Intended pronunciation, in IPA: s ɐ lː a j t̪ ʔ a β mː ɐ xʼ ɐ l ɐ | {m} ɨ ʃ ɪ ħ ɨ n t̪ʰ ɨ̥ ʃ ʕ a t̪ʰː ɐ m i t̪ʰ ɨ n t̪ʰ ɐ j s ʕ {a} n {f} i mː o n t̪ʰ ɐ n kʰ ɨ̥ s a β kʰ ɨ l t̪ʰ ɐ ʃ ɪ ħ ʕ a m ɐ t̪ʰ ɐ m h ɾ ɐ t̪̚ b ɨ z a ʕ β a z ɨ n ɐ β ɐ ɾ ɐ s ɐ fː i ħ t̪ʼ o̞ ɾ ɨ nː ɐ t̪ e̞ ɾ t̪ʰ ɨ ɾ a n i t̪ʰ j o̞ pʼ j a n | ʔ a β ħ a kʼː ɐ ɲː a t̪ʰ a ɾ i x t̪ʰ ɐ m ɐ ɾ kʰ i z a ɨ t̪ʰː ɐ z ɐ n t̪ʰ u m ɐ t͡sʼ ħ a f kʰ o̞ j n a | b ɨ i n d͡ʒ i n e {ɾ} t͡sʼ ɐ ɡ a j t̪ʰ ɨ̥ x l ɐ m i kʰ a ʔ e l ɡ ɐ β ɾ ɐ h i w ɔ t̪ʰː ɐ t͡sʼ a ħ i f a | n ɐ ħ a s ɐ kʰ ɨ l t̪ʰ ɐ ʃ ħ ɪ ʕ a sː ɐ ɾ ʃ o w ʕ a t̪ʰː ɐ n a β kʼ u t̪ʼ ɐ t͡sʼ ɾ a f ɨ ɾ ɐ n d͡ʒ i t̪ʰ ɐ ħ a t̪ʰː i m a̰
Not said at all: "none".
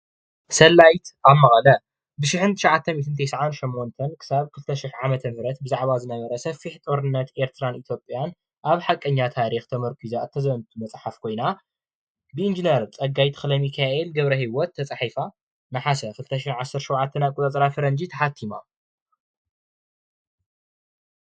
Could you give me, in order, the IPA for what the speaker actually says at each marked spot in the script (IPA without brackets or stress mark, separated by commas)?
b, a, ʃ, ɾ